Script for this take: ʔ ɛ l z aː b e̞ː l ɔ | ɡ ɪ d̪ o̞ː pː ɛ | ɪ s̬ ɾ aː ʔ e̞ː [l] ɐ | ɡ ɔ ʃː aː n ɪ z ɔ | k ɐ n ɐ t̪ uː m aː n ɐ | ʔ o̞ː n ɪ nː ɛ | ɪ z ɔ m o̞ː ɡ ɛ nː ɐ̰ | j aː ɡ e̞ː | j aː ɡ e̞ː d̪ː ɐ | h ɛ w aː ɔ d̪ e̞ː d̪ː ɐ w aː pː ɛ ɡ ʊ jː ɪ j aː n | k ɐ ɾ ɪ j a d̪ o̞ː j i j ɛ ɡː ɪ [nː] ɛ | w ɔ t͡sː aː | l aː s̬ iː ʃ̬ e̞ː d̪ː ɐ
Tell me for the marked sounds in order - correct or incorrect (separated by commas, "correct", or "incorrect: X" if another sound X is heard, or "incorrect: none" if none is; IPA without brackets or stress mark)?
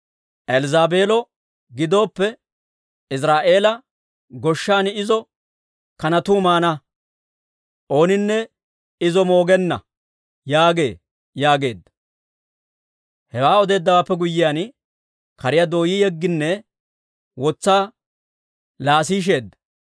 correct, correct